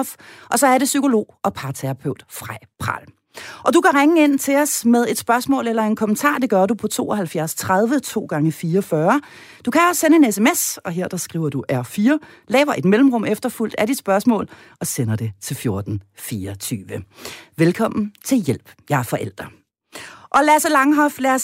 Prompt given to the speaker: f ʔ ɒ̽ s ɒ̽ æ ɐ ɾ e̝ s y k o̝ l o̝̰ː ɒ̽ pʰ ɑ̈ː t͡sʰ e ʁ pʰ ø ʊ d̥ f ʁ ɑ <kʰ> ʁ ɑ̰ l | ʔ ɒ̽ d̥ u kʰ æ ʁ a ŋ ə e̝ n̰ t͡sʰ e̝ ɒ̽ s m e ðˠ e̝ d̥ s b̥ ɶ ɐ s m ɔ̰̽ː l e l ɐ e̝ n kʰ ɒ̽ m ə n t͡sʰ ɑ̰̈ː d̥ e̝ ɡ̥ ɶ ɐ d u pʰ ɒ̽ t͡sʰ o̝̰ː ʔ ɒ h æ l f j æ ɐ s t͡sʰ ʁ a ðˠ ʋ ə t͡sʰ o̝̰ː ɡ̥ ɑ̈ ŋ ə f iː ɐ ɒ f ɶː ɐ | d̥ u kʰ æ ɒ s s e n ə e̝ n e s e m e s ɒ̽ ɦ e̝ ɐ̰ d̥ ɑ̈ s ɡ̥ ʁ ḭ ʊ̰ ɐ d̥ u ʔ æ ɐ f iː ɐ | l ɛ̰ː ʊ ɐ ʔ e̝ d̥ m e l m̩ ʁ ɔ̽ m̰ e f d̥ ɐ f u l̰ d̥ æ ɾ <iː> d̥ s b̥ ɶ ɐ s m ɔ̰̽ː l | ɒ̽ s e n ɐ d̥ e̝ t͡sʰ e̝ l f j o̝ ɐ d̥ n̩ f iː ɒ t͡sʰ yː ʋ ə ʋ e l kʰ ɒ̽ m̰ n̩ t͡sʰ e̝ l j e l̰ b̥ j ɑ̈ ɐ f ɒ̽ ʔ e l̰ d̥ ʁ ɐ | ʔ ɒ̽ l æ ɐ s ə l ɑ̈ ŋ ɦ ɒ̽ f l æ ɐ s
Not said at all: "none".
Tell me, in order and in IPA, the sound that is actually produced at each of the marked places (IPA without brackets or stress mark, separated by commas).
pʰ, i